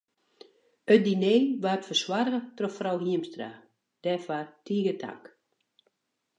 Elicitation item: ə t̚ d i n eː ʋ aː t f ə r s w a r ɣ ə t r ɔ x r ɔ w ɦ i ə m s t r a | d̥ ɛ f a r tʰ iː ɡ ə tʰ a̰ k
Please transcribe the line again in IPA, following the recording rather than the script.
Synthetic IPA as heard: ə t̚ d i n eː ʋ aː t f ə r s w a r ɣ ə t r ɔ f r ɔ w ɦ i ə m s t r a | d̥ ɛ f a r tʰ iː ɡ ə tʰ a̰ k